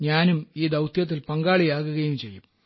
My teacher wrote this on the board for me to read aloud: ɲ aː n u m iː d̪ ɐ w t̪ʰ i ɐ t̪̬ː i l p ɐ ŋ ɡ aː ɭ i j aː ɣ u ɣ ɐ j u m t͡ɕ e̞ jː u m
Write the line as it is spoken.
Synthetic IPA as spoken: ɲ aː n u m iː d̪ ɐ w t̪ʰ j ɐ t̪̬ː i l p ɐ ŋ ɡ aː ɭ i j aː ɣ u ɣ ɐ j u m t͡ɕ e̞ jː u m